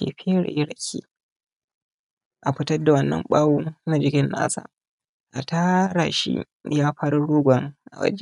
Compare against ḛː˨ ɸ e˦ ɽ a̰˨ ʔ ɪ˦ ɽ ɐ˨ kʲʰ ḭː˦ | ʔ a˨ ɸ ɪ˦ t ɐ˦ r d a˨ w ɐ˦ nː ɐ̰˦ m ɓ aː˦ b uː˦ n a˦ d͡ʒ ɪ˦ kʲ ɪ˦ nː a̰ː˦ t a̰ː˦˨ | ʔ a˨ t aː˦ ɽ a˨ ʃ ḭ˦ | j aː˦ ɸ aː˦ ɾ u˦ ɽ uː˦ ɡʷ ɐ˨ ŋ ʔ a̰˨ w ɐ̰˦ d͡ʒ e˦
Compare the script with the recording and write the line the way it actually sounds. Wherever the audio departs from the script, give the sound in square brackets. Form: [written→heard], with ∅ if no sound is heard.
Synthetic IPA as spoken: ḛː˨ ɸ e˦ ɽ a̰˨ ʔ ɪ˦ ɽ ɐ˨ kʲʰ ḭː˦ | ʔ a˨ ɸ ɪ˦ t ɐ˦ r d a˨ w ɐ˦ nː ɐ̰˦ m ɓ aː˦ [b→w] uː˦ n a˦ d͡ʒ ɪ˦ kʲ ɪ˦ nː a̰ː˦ [t→s] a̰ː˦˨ | ʔ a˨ t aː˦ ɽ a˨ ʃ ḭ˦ | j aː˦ ɸ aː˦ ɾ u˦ ɽ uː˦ ɡʷ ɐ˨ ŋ ʔ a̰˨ w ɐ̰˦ d͡ʒ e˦